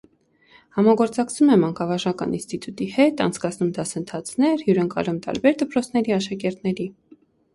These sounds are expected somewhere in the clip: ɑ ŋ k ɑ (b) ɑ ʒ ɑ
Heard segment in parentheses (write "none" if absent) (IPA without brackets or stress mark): v